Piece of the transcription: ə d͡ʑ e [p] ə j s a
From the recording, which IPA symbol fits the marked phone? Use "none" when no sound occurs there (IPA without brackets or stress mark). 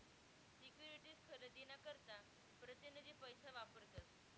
p